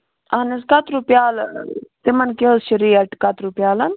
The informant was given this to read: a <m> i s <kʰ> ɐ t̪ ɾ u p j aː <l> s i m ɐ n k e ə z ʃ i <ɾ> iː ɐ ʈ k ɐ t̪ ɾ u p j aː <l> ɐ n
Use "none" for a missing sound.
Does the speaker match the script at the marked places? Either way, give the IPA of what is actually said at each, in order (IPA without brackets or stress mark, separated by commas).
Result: n, k, l, ɾ, l